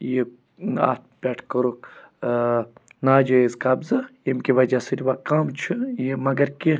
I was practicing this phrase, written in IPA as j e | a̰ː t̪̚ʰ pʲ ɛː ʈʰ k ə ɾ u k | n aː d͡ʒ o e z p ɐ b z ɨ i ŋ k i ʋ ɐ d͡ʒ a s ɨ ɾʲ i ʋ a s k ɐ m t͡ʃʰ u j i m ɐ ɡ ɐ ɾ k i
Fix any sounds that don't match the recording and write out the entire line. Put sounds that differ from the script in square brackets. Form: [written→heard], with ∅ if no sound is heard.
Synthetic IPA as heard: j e | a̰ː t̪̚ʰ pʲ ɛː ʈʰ k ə ɾ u k | n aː d͡ʒ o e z [p→k] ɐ b z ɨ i [ŋ→m] k i ʋ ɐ d͡ʒ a s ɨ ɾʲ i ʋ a [s→∅] k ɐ m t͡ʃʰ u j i m ɐ ɡ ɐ ɾ k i